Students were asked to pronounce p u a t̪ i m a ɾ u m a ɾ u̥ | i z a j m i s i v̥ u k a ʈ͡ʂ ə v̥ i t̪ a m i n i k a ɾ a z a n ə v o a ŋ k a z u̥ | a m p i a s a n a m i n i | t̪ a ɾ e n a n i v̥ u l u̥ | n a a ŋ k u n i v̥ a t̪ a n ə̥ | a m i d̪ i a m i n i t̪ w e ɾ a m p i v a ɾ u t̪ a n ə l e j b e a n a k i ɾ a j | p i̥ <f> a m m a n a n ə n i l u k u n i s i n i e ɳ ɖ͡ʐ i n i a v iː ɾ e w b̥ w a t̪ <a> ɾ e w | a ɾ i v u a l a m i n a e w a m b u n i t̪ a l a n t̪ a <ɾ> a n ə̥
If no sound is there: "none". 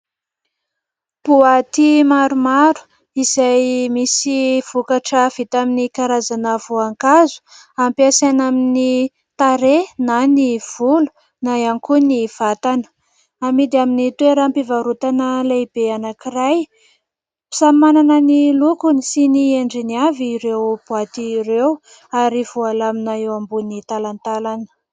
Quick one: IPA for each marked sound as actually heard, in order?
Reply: s, i, l

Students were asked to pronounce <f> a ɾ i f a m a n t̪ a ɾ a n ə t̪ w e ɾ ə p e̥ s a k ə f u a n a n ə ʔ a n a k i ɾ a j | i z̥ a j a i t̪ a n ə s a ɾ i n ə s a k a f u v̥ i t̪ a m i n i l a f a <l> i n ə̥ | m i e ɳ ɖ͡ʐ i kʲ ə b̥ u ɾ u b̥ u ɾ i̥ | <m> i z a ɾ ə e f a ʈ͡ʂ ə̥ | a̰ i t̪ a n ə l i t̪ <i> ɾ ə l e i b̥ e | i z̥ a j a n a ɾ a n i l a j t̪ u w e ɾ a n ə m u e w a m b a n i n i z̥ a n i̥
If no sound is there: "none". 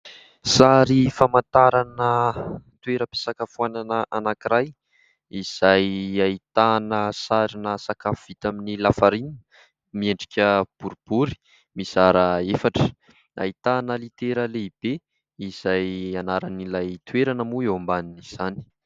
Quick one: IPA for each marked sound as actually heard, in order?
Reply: s, ɾ, m, e

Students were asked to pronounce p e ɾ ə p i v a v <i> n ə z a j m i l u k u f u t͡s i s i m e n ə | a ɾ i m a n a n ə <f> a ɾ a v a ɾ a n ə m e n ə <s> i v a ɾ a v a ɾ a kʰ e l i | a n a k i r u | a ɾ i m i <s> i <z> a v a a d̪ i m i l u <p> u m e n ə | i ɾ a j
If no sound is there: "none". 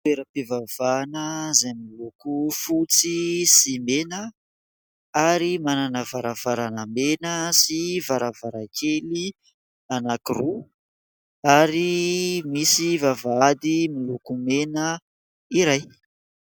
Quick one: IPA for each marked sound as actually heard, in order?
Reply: a, v, s, s, v, k

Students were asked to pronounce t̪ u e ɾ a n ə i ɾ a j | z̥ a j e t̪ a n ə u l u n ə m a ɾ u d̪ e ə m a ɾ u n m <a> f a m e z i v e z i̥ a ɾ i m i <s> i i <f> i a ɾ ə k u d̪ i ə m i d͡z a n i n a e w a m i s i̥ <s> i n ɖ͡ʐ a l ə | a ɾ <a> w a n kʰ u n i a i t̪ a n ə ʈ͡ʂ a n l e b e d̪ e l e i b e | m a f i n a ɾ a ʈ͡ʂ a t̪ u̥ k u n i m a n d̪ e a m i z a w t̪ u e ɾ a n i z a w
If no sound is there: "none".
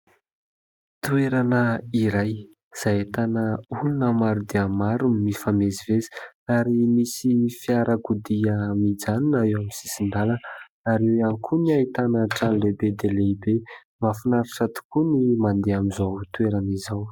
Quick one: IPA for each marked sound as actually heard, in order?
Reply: i, s, f, s, e

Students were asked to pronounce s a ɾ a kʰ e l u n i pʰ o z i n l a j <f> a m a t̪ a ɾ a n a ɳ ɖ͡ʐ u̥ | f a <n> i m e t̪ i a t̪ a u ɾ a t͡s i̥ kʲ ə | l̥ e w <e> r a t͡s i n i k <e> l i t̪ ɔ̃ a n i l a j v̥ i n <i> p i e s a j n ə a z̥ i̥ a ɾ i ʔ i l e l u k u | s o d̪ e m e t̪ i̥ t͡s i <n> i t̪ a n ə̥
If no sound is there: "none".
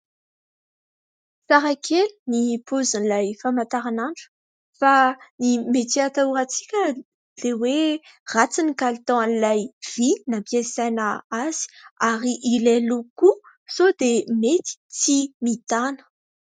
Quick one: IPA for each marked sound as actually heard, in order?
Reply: f, n, e, a, a, m

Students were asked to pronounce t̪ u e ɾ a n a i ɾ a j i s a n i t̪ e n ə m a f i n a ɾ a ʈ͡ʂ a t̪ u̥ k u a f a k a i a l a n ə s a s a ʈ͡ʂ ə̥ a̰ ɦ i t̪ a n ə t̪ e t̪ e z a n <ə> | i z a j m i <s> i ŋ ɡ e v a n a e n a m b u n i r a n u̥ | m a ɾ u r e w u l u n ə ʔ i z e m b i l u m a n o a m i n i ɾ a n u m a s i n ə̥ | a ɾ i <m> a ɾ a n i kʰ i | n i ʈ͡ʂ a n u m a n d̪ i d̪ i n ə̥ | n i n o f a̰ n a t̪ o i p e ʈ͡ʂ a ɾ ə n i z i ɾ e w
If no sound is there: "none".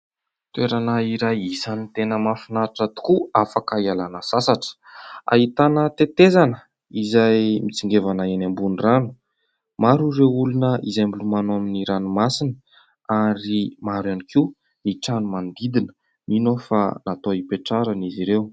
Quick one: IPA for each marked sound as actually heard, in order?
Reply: ə, t͡s, m

